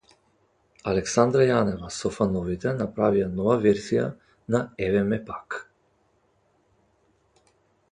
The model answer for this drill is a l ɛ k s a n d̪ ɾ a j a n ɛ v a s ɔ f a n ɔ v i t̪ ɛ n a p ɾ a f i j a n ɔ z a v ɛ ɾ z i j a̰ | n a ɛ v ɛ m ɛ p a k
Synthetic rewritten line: a l ɛ k s a n d̪ ɾ a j a n ɛ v a s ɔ f a n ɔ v i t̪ ɛ n a p ɾ a v i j a n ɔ v a v ɛ ɾ z i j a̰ | n a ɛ v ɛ m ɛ p a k